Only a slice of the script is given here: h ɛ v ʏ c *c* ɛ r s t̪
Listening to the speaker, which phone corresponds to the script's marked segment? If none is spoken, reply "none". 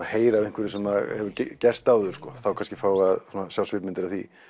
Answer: c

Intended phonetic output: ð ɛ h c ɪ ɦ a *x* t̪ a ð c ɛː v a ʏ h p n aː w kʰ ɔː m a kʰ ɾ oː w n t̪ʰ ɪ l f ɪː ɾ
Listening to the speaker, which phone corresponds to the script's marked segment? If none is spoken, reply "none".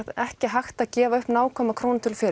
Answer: x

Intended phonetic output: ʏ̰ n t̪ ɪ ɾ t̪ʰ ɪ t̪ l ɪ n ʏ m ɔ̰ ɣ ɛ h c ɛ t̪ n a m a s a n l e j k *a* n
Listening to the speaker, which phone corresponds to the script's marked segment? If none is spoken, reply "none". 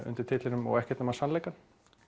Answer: a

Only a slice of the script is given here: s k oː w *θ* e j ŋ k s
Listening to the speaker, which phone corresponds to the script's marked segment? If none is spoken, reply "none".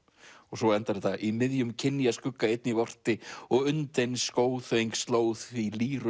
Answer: θ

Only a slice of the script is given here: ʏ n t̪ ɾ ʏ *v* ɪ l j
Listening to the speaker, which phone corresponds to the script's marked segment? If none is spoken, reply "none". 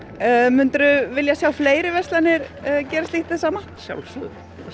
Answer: v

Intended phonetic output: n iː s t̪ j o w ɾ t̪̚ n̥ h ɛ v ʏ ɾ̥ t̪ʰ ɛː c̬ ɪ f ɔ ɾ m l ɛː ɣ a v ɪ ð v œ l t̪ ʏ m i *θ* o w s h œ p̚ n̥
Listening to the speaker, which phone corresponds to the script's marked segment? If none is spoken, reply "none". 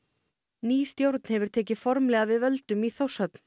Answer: θ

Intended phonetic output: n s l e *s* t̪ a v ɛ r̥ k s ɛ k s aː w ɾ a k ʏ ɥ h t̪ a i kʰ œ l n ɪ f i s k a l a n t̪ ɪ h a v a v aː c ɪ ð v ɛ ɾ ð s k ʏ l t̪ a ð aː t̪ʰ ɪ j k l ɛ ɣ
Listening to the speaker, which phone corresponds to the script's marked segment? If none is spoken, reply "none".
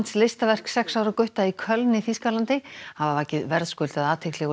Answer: s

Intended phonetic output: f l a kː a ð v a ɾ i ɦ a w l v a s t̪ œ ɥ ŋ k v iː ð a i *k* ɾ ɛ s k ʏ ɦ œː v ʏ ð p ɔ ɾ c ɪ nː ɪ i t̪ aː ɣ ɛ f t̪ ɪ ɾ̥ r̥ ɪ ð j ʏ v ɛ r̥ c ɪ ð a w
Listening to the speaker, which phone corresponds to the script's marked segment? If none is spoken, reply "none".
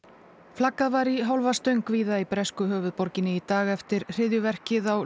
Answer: p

